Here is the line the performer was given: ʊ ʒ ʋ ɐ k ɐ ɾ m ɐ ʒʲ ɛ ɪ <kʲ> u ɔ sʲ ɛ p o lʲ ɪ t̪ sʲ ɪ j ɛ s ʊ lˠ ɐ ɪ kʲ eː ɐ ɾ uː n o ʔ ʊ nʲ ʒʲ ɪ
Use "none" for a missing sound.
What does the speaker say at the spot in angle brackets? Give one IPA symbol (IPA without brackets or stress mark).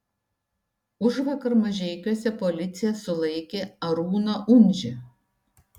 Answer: kʲ